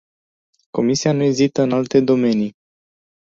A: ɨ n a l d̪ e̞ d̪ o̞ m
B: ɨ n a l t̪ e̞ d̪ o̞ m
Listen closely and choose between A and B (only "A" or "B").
B